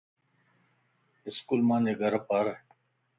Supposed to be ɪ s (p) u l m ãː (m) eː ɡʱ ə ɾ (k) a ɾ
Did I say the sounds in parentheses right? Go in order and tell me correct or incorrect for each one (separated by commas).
incorrect, incorrect, incorrect